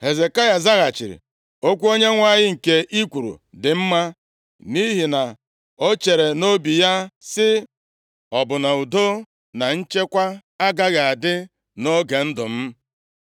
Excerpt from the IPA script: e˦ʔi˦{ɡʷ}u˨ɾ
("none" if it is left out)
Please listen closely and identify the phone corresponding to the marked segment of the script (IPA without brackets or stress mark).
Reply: kʷ